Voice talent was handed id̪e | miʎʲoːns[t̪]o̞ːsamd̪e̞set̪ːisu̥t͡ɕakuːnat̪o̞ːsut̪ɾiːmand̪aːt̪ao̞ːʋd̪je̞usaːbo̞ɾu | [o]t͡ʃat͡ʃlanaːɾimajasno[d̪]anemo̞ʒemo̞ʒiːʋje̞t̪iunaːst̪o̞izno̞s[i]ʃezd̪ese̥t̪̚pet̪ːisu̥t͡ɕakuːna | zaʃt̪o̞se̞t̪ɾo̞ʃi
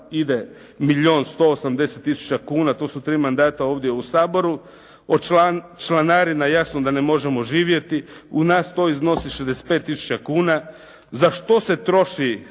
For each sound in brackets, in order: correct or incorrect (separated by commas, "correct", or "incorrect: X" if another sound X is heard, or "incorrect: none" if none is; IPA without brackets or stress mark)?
correct, correct, correct, correct